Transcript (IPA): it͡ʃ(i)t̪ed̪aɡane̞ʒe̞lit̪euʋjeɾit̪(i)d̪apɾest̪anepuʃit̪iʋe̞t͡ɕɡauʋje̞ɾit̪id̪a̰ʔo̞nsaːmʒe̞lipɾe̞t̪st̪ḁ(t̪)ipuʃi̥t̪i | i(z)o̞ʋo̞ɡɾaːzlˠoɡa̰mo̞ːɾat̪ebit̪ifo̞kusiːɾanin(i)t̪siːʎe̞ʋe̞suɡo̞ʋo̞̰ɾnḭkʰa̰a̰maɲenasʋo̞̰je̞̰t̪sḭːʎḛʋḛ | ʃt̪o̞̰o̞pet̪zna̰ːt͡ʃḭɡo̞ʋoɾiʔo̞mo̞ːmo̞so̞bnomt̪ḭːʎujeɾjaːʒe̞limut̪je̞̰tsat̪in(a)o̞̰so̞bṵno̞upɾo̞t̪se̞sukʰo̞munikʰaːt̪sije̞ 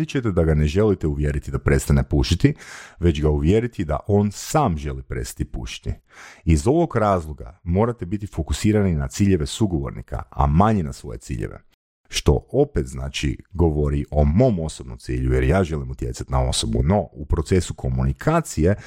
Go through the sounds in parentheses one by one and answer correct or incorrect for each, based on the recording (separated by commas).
incorrect, correct, correct, correct, incorrect, correct